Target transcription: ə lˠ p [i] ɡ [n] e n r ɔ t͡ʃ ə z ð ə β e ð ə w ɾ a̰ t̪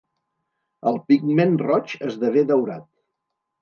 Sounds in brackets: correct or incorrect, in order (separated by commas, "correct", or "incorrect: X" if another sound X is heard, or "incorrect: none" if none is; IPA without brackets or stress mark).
correct, incorrect: m